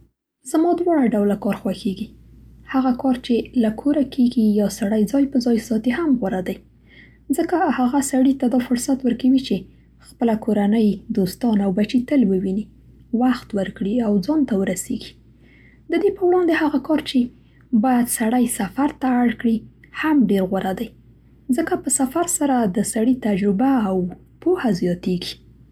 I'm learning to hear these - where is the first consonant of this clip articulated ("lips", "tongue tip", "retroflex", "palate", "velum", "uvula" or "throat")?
tongue tip